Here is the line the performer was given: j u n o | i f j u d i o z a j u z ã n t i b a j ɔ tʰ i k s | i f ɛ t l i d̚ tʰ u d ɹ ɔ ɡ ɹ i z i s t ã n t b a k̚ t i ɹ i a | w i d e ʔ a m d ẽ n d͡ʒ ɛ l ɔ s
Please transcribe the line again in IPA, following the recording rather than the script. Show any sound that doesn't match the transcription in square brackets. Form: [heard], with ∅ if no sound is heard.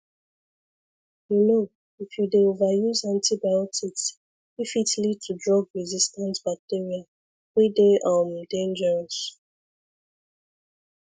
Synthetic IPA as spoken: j u n o | i f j u d [e] o [v] a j u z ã n t i b a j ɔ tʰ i k s | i f [i] t l i d̚ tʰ u d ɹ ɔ ɡ ɹ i z i s t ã n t b a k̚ t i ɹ i a | w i d e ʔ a m d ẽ n d͡ʒ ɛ [ɹ] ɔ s

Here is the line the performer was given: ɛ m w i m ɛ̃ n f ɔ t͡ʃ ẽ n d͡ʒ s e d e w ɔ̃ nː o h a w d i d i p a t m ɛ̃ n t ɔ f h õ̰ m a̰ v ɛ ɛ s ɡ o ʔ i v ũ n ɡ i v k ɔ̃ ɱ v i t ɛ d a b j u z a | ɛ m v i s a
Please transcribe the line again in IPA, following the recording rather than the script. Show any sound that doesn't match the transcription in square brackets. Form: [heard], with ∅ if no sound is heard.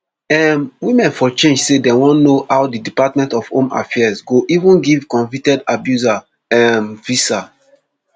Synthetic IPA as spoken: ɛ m w i m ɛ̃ n f ɔ t͡ʃ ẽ n d͡ʒ s e d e w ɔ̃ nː o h a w d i d i p a t m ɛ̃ n t ɔ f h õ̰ m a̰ [f] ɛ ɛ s ɡ o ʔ i v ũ n ɡ i v k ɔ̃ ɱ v i t ɛ d a b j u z a | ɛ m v i s a

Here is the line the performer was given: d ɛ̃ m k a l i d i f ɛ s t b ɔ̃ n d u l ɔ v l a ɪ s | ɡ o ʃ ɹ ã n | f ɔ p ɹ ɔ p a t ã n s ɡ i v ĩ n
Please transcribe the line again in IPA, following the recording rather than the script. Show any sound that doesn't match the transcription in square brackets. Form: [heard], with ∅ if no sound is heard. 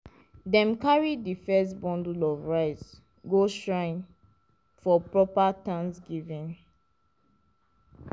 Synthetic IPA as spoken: d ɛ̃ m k a [ɹ] i d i f ɛ s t b ɔ̃ n d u l ɔ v [ɹ] a ɪ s | ɡ o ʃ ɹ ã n | f ɔ p ɹ ɔ p a t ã n s ɡ i v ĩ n

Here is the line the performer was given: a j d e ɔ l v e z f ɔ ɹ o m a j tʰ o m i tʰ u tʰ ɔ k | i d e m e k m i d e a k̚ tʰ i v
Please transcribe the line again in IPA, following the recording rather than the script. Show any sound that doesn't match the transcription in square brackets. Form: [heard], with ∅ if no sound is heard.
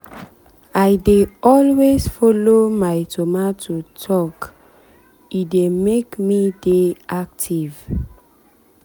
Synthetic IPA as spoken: a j d e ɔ l [w] e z f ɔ [l] o m a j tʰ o m [a] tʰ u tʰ ɔ k | i d e m e k m i d e a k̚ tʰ i v

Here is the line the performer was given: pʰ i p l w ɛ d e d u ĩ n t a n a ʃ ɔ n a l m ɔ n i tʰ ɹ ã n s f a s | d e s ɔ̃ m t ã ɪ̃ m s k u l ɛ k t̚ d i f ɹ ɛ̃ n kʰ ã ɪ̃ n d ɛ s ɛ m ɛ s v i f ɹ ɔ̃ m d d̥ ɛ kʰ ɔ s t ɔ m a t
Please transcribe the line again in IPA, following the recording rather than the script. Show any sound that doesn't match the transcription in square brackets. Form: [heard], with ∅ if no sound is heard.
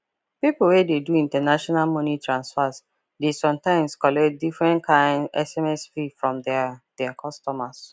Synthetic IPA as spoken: [p] i p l w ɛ d e d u ĩ n t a n a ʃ ɔ n a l m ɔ n i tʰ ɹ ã n s f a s | d e s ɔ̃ m t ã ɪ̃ m s k [ɔ] l ɛ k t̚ d i f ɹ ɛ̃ n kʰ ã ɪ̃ n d ɛ s ɛ m ɛ s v i f ɹ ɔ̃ m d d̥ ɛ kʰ ɔ s t ɔ m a [s]

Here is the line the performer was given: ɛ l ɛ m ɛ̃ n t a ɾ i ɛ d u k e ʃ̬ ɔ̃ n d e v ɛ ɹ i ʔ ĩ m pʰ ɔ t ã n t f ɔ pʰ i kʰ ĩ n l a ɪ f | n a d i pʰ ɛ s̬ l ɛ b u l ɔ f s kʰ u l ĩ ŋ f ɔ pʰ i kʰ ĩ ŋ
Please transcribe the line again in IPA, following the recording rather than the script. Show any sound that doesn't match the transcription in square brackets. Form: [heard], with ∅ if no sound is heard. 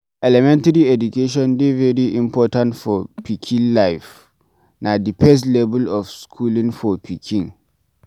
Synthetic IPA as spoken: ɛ l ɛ m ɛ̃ n t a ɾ i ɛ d u k e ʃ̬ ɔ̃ n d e v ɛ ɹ i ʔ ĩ m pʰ ɔ t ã n t f ɔ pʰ i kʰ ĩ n l a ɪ f | n a d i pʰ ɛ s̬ l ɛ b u l ɔ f s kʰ u l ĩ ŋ f ɔ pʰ i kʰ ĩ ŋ

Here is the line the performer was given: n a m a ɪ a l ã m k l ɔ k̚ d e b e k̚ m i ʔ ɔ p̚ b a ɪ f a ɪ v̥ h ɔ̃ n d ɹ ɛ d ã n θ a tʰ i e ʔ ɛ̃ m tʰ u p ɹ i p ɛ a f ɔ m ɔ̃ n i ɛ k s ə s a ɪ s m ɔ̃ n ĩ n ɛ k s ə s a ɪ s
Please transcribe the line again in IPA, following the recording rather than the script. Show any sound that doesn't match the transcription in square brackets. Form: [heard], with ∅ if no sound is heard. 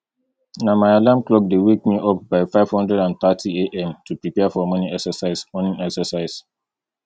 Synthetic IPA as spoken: n a m a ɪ a l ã m k l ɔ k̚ d e [w] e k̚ m i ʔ ɔ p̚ b a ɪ f a ɪ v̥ h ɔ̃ n d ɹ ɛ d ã n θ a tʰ i e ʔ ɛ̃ m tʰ u p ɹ i p ɛ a f ɔ m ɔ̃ n i ɛ k s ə s a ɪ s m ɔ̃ n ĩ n ɛ k s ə s a ɪ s

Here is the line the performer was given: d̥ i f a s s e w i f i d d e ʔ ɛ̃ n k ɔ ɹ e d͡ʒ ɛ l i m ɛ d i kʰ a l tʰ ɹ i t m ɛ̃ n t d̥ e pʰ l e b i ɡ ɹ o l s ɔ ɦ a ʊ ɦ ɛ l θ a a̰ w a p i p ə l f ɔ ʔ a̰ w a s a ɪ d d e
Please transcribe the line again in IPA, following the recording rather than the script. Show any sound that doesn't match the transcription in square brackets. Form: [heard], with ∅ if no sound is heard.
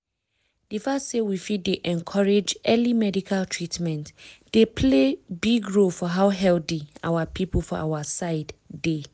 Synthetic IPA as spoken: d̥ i f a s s e w i f i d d e ʔ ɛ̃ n [kʰ] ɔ ɹ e d͡ʒ ɛ l i m ɛ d i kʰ a l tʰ ɹ i t m ɛ̃ n t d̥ e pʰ l e b i ɡ ɹ o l [f] ɔ ɦ a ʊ ɦ ɛ l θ [i] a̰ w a p i p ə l f ɔ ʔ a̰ w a s a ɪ d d e

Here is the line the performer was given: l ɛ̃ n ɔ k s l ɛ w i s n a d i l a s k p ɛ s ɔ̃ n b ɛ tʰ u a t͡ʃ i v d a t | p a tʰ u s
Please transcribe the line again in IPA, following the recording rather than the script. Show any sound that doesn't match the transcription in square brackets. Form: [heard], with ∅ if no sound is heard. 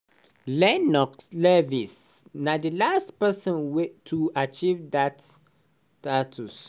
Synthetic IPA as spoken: l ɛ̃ n ɔ k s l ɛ [v] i s n a d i l a s [t] p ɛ s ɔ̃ n [w] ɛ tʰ u a t͡ʃ i v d a t | [t] a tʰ u s

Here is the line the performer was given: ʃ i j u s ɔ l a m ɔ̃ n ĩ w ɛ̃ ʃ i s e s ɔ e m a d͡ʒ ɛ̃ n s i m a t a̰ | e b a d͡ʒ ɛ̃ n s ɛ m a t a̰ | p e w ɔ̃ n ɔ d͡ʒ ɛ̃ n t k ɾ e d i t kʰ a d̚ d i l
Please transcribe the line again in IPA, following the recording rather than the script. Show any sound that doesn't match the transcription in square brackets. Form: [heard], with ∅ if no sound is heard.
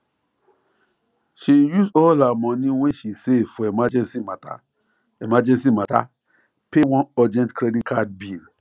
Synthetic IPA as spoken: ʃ i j u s ɔ l a m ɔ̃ n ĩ w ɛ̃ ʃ i s e [f] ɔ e m a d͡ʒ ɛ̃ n s i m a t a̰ | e [m] a d͡ʒ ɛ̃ n s [i] m a t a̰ | p e w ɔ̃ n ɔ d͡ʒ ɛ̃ n t k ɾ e d i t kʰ a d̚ [b] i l

